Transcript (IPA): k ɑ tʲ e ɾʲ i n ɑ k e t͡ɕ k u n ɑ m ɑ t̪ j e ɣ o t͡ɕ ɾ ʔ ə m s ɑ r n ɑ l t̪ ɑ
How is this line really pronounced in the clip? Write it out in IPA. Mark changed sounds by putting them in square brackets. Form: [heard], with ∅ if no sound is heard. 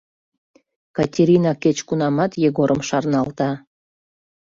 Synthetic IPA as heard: k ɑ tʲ e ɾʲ i n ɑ k e t͡ɕ k u n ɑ m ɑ t̪ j e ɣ o [∅] ɾ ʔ ə m [ʃ] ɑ r n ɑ l t̪ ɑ